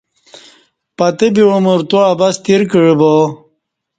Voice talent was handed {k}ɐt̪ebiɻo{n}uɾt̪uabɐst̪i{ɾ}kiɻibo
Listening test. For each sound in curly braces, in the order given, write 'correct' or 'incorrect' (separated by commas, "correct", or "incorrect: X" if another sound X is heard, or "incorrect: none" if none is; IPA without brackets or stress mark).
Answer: incorrect: p, incorrect: m, correct